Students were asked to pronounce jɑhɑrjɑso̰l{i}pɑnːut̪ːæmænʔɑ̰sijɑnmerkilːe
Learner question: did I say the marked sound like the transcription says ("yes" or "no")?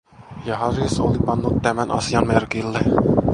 yes